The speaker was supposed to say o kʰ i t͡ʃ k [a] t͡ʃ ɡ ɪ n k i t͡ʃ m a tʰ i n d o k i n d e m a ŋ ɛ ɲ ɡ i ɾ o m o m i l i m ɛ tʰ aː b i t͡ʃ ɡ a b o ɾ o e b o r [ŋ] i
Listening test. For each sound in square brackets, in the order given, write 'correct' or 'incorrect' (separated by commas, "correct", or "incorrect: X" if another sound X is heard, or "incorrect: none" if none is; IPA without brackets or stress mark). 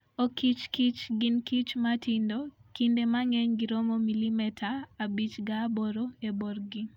incorrect: i, incorrect: ɡ